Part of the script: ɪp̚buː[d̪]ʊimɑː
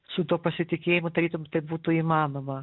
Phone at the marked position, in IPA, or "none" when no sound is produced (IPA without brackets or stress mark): t̪